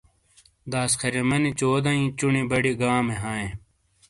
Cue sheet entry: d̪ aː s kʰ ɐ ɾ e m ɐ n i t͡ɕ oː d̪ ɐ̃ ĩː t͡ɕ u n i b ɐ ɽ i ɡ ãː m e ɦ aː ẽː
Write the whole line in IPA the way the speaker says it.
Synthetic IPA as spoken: d̪ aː s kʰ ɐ ɾ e m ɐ n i t͡ɕ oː d̪ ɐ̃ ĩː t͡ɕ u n i b ɐ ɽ i ɡ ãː m e ɦ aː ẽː